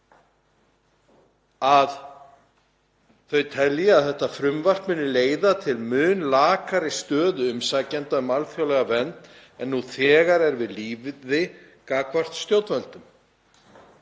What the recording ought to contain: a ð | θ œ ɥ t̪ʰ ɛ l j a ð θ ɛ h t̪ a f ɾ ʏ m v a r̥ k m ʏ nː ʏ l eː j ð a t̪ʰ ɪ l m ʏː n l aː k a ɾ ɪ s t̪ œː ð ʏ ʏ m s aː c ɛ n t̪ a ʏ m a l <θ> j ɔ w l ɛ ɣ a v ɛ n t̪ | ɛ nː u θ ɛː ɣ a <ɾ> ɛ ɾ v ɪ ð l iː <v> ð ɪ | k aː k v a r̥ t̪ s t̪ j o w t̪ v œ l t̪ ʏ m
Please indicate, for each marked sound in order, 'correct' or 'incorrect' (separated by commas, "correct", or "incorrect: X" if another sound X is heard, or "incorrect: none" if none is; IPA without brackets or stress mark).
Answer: incorrect: f, correct, correct